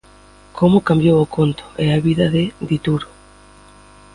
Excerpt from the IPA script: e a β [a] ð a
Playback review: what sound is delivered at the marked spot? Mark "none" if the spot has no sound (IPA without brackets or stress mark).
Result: i